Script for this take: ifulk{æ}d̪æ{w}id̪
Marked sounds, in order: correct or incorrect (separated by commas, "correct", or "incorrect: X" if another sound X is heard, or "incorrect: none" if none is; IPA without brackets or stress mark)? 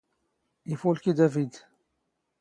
incorrect: i, incorrect: v